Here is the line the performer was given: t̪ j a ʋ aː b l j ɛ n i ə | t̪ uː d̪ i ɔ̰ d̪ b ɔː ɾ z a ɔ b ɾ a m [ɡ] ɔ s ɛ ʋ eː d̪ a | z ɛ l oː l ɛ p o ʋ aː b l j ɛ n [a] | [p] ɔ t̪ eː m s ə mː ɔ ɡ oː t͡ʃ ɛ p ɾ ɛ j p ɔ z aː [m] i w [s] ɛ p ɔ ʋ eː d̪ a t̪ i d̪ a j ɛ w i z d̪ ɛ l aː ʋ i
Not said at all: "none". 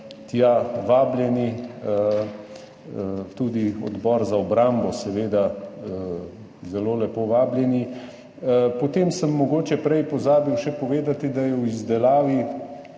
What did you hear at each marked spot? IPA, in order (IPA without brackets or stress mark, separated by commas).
b, i, p, b, ʃ